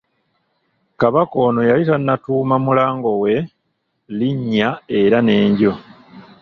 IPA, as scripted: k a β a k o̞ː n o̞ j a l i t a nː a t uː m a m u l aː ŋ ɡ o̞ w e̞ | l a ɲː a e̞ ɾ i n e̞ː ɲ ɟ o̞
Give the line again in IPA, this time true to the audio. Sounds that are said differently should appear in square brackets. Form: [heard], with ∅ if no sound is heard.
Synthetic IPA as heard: k a β a k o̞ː n o̞ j a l i t a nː a t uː m a m u l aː ŋ ɡ o̞ w e̞ | l [i] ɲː a e̞ ɾ [a] n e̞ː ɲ ɟ o̞

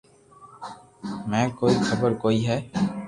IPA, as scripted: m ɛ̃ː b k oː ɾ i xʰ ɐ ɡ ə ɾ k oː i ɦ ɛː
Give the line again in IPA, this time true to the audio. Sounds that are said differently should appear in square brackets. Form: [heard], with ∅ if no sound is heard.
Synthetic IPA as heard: m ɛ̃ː [∅] k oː [∅] i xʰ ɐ [b] ə ɾ k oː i ɦ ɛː

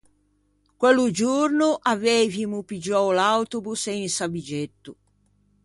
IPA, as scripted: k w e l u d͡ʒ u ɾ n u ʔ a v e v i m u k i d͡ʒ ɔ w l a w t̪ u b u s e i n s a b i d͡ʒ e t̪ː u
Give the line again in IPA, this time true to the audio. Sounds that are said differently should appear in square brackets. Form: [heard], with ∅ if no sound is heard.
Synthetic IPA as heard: k w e l u d͡ʒ u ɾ n u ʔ a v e v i m u [p] i d͡ʒ ɔ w l a w t̪ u b u s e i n s a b i d͡ʒ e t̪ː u

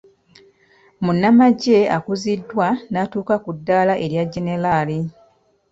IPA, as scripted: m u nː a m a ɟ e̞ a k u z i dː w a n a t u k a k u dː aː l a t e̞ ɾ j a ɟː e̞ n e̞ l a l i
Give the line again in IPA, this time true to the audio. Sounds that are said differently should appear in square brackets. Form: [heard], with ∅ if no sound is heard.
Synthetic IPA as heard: m u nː a m a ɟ e̞ a k u z i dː w a n a t [uː] k a k u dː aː l a [ʔ] e̞ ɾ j a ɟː e̞ n e̞ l a l i

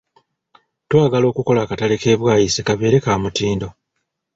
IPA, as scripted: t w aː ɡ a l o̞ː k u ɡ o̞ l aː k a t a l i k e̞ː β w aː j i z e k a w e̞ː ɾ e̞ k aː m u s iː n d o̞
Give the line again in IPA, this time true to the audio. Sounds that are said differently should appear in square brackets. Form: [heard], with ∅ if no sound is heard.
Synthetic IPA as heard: t w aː ɡ a l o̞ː k u [k] o̞ l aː k a t a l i k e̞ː β w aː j i [s] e k a [β] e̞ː ɾ e̞ k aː m u [t] iː n d o̞

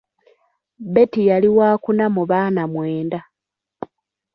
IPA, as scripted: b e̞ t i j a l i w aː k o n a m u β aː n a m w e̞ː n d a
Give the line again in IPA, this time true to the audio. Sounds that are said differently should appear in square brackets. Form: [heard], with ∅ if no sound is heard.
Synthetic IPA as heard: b e̞ t i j a l i w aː k [u] n a m u β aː n a m w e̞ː n d a

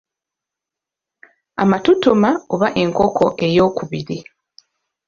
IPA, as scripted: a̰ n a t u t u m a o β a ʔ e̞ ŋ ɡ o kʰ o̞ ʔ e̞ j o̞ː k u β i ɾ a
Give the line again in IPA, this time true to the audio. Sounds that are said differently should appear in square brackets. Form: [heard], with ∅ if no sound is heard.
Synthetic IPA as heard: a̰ [m] a t u t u m a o β a ʔ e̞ ŋ [k] o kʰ o̞ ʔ e̞ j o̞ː k u β i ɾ [i]

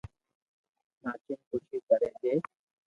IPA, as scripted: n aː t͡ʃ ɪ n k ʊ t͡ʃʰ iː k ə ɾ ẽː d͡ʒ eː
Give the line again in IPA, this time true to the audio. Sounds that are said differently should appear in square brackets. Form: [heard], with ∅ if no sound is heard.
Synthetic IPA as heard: n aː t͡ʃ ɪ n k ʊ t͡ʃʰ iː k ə ɾ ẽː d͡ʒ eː

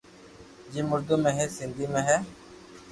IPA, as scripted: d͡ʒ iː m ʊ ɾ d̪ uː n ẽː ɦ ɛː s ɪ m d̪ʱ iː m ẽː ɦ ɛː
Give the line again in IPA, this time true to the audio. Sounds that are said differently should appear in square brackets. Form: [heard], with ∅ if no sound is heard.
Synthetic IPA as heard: d͡ʒ iː m ʊ ɾ d̪ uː [m] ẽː ɦ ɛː s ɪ [n] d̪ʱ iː m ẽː ɦ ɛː

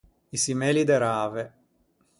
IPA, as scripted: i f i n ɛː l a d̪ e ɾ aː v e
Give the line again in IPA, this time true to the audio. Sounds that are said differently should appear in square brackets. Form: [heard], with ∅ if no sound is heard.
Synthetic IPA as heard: i [s] i [m] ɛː l [i] d̪ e ɾ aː v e

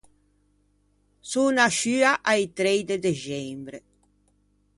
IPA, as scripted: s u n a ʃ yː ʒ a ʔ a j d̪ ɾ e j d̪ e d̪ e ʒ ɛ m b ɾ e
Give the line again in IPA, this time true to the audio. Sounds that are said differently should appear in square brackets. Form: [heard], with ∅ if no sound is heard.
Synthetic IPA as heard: s u n a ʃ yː [∅] a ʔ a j [t̪] ɾ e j d̪ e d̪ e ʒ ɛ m b ɾ e

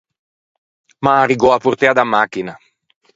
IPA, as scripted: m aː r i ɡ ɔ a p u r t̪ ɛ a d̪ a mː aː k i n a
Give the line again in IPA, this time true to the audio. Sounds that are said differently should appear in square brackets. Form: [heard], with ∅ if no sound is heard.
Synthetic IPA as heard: m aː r i ɡ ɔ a p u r t̪ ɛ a d̪ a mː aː k i n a

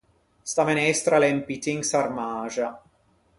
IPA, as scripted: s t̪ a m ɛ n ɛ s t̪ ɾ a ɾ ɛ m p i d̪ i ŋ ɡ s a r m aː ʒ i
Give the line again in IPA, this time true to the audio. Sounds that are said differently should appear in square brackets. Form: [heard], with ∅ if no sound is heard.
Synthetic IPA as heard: s t̪ a m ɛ n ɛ s t̪ ɾ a [l] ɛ m p i [t̪] i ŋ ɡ s a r m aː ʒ [a]

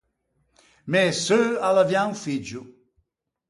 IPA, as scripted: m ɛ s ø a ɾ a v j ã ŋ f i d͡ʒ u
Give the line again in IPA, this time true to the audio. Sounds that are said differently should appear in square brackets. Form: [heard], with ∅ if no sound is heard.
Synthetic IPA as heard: m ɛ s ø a [l] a v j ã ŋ f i d͡ʒ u

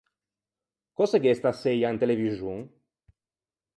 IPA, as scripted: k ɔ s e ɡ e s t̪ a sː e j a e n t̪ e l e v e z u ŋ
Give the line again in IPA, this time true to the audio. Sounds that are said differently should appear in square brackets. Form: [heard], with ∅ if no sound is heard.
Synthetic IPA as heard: k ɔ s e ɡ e s t̪ a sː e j a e n t̪ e l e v [i] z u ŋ

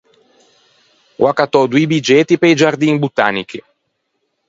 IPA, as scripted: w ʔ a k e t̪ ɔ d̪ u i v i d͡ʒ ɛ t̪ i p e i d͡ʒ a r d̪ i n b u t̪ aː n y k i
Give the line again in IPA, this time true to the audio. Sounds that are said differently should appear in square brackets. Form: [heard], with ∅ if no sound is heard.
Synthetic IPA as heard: w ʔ a k [a] t̪ ɔ d̪ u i [b] i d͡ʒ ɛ t̪ i p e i d͡ʒ a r d̪ i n b u t̪ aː n [i] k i

